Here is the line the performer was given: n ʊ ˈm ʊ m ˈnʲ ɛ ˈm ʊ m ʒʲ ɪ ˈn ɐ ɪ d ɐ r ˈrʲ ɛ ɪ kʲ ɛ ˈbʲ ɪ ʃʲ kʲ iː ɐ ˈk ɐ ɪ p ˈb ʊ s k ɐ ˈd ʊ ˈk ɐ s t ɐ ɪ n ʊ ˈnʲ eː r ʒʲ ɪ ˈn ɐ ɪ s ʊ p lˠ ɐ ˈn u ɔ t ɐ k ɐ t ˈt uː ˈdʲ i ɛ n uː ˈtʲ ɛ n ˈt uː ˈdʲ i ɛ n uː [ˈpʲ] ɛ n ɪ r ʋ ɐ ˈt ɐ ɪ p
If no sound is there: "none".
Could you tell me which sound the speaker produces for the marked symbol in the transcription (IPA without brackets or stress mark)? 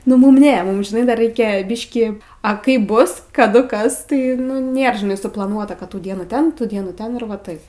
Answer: tʲ